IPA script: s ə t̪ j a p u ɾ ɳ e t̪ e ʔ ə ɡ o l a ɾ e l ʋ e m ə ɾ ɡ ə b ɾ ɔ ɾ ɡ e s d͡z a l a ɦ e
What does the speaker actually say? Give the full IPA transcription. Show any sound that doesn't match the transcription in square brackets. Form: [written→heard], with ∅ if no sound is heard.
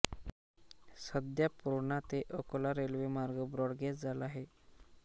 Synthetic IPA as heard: s ə [t̪→d̪] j a p u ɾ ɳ [e→a] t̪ e ʔ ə [ɡ→k] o l a ɾ e l ʋ e m [ə→a] ɾ ɡ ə b ɾ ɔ [ɾ→ɽ] ɡ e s d͡z a l a ɦ e